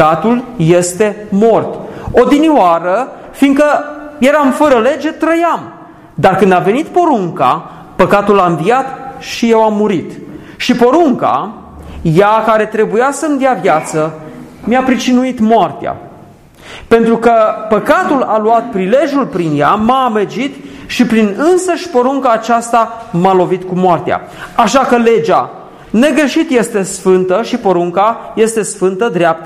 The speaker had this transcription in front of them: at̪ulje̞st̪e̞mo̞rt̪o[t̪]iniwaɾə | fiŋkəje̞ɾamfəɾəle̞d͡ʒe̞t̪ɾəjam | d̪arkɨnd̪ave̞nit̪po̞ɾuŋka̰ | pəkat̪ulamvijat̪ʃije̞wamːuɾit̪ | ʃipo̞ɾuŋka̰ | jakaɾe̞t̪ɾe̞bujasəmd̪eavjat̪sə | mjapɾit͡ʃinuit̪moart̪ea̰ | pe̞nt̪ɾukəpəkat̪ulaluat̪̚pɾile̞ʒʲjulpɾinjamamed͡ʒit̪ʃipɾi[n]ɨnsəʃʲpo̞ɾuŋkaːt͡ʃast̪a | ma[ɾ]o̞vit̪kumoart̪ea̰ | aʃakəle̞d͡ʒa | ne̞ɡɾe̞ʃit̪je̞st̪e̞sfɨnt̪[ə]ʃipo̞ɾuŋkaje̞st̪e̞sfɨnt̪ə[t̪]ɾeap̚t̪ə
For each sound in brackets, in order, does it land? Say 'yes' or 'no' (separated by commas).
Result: no, yes, no, yes, no